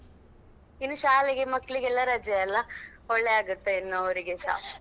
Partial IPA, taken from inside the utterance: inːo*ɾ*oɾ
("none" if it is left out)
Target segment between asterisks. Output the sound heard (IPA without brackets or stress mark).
none